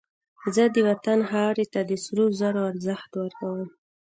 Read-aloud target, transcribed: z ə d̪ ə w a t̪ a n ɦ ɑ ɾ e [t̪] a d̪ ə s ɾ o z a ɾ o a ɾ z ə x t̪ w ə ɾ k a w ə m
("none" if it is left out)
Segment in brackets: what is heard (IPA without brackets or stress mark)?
t̪